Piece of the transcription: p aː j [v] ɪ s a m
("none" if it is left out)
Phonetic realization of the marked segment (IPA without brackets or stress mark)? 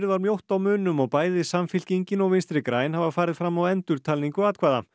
ð